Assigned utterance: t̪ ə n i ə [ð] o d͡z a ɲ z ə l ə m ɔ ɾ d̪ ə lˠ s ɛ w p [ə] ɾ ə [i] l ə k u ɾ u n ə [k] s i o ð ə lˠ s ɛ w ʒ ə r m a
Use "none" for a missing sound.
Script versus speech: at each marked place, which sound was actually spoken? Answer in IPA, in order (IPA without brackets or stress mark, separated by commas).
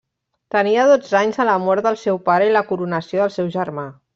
ð, a, i, none